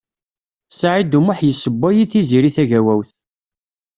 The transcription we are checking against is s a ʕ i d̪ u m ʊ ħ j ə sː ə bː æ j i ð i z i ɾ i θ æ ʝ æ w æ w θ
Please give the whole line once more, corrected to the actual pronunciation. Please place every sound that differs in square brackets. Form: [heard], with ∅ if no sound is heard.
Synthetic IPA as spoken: s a ʕ i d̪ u m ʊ ħ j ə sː ə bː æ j i [θ] i z i ɾ i θ æ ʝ æ w æ w θ